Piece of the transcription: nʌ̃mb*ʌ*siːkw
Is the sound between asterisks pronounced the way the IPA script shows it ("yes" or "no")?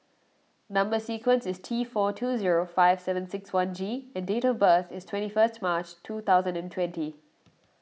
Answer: no